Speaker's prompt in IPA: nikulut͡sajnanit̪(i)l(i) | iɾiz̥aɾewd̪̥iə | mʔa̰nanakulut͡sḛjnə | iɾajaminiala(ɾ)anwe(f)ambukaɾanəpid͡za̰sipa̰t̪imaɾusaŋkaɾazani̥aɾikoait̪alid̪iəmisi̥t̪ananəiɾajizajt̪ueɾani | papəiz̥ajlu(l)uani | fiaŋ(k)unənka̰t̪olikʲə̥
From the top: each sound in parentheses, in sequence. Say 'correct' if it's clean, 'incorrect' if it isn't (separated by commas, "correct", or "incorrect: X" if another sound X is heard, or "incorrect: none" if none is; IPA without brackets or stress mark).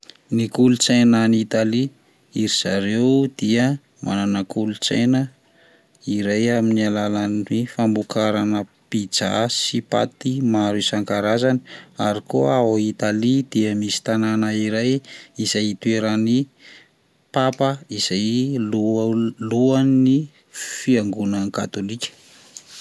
incorrect: a, correct, incorrect: l, correct, correct, incorrect: ɡ